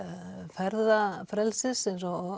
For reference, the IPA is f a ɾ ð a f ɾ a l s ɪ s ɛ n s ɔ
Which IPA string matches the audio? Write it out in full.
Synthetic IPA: f ɛ ɾ ð a f ɾ ɛ l s ɪ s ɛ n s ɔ